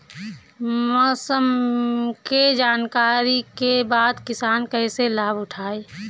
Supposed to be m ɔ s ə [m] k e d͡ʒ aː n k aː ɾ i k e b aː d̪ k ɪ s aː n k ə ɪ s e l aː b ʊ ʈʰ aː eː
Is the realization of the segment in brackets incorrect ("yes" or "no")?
no